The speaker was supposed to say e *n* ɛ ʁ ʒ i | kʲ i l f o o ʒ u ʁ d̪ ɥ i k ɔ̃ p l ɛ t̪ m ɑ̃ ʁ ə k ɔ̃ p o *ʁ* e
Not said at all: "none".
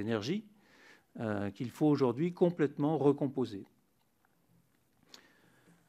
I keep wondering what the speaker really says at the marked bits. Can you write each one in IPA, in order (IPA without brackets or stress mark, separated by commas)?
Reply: n, z